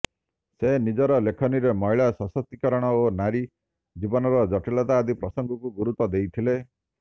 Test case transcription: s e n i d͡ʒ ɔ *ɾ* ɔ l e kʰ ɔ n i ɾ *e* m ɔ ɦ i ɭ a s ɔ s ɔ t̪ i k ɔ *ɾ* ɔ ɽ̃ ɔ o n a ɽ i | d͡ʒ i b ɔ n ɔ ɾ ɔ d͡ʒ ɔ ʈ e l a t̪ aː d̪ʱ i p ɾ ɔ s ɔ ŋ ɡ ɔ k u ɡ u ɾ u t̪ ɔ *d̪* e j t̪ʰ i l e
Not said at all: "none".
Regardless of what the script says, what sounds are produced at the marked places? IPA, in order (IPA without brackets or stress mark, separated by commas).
ɾ, e, ɾ, d̪